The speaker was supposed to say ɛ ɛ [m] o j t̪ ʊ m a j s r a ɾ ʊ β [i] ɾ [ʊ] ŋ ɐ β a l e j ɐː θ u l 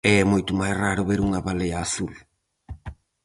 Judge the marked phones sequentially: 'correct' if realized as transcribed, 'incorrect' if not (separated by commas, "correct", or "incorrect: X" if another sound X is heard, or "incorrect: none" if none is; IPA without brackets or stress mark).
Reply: correct, incorrect: e, incorrect: u